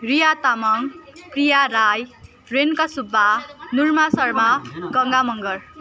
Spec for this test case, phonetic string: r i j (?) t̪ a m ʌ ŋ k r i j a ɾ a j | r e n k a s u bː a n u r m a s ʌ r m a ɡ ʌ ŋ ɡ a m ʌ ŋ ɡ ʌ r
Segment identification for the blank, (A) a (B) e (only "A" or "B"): A